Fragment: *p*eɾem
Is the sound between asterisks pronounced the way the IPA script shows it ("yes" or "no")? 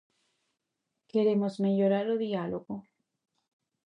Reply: no